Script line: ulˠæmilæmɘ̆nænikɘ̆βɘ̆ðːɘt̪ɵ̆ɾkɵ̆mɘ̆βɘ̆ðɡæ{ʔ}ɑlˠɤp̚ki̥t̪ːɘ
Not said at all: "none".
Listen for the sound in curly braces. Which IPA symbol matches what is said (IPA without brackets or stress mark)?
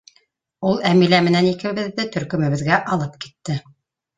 ʔ